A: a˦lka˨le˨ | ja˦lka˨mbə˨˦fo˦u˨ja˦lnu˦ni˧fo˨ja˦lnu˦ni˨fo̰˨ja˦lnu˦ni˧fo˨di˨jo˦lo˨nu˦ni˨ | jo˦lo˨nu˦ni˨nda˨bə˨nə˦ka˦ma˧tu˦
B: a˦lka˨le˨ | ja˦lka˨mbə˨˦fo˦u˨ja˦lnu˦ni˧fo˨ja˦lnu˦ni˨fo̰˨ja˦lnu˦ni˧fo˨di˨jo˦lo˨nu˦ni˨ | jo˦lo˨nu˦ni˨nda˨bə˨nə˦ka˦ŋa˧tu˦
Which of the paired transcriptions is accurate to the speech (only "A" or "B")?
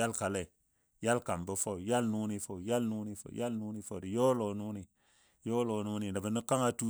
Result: B